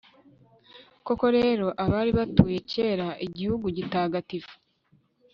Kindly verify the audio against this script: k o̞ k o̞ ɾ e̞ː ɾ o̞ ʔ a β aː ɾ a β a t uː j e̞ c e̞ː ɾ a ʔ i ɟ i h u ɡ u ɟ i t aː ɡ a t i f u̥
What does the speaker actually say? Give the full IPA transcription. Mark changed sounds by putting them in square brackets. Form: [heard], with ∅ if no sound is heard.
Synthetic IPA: k o̞ k o̞ ɾ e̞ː ɾ o̞ ʔ a β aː ɾ [i] β a t uː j e̞ c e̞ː ɾ a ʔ i ɟ i h u ɡ u ɟ i t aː ɡ a t i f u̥